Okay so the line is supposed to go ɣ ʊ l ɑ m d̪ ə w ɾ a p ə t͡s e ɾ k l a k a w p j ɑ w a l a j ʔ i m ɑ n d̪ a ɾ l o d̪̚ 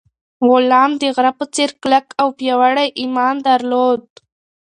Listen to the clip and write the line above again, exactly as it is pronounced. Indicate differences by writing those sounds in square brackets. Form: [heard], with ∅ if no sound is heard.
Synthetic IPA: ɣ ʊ l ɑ m d̪ ə [ɣ] ɾ a p ə t͡s e ɾ k l a k a w p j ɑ w a [ɽ] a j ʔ i m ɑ n d̪ a ɾ l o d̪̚